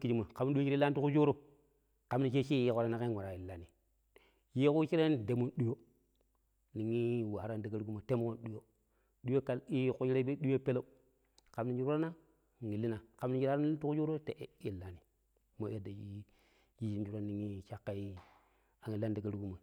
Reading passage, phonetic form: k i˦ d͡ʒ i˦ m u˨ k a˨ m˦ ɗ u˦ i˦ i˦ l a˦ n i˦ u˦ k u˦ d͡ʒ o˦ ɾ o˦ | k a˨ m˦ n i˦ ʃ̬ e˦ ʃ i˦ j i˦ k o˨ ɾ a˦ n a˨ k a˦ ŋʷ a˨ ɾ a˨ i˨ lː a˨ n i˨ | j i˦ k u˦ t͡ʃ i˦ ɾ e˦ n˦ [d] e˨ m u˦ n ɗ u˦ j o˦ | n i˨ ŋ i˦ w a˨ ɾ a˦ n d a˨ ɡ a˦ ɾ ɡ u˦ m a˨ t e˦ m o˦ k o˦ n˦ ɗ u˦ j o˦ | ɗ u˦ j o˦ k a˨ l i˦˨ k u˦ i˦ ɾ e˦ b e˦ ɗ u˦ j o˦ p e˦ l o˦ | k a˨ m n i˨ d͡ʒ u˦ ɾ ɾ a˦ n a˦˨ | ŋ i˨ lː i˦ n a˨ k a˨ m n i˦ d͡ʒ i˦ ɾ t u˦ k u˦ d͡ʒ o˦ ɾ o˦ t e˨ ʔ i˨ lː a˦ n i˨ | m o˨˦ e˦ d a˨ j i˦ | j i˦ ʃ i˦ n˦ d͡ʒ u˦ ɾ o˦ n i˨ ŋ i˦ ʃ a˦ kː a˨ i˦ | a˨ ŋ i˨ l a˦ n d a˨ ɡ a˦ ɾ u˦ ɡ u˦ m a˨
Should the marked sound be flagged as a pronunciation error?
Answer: no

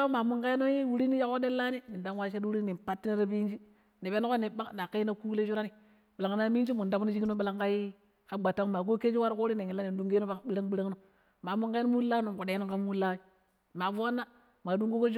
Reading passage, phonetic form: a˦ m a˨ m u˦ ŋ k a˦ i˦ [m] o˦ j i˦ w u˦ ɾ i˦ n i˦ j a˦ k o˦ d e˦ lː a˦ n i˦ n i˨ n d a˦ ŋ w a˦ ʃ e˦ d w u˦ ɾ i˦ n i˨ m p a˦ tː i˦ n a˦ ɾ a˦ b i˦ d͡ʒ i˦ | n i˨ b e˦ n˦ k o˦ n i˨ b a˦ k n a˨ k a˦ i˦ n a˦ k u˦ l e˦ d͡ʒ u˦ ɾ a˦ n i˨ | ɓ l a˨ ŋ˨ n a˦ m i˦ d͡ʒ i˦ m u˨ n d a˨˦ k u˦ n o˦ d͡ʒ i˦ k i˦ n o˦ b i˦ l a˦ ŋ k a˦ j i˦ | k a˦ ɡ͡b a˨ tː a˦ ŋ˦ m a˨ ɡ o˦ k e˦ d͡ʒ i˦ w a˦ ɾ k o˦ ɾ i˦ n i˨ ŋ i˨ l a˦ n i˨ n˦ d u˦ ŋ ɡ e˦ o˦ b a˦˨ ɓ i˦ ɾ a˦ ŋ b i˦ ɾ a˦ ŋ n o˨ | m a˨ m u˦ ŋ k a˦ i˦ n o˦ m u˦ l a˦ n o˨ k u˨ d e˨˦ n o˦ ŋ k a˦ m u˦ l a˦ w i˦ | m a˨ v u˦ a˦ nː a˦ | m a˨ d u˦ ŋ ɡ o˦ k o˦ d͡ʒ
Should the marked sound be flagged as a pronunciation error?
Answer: yes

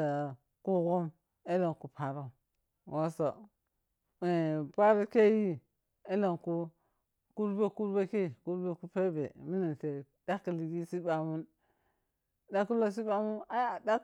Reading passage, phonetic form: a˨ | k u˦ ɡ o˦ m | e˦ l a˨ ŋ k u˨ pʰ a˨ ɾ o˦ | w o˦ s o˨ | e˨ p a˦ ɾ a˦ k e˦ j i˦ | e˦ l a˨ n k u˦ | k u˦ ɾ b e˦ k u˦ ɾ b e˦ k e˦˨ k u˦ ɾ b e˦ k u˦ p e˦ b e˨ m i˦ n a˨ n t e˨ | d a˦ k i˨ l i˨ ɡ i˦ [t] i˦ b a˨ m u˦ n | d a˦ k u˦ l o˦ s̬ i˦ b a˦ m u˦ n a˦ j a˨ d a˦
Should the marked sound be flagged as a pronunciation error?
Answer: yes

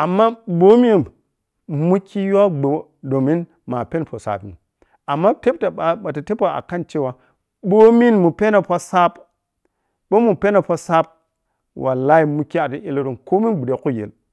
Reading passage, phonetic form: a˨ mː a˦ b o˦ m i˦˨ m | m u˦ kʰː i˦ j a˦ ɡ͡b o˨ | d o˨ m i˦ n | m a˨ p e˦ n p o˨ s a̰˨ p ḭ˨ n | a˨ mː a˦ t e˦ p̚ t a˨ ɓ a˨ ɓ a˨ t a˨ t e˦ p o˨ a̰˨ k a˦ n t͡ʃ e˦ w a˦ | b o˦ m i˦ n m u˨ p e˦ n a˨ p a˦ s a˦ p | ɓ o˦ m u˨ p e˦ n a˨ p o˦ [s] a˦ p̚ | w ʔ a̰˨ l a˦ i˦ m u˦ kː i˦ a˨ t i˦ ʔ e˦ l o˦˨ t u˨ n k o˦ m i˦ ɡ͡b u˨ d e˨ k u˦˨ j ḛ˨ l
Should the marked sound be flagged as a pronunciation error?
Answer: no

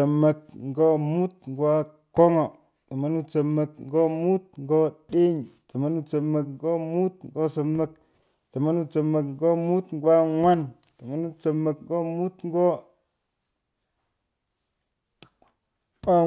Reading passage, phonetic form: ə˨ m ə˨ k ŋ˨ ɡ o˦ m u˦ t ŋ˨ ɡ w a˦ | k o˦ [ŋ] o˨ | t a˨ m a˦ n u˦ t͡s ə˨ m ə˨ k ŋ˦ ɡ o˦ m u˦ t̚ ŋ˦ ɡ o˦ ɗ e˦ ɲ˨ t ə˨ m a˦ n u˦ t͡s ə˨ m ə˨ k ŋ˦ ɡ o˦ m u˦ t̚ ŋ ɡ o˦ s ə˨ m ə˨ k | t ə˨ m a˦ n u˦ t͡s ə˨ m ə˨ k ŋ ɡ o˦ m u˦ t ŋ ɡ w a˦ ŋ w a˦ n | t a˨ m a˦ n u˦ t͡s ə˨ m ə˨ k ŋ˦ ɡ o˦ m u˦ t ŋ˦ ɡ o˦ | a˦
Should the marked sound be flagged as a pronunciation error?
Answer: no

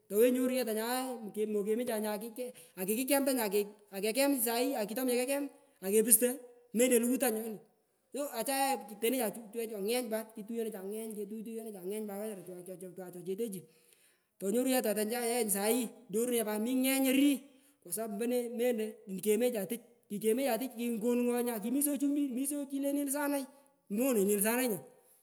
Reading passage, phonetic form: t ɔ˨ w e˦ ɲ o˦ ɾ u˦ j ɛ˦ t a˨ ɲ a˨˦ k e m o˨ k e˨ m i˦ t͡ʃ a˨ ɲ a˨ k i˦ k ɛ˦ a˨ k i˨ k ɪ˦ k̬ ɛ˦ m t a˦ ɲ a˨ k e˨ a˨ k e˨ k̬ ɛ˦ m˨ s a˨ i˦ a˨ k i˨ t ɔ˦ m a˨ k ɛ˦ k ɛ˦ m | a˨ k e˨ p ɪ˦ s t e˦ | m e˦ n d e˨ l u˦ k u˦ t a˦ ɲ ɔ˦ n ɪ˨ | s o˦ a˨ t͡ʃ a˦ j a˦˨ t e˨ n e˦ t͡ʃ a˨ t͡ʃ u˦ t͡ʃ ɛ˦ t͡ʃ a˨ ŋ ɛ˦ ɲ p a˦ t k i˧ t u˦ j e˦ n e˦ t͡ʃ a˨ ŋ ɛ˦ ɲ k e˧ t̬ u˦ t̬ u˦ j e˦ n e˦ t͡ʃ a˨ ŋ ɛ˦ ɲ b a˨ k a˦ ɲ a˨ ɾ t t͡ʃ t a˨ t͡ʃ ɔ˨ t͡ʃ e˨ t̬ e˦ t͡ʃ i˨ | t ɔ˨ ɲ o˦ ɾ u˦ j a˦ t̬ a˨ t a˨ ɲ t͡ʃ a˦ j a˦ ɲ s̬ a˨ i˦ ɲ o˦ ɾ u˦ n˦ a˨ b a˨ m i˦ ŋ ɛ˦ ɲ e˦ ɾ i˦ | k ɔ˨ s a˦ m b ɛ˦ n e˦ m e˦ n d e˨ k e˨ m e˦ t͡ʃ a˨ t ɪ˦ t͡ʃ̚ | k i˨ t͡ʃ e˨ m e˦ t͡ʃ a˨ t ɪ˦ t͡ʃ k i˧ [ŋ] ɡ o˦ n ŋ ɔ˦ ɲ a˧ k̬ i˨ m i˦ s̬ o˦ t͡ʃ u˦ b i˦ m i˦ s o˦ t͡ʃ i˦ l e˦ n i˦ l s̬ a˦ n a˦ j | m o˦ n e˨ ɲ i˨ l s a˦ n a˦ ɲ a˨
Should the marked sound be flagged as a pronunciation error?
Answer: no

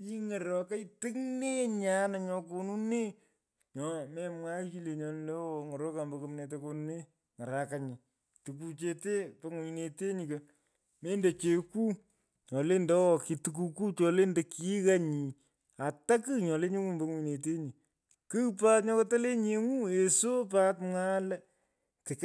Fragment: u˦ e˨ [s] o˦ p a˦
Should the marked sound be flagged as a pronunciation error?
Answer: no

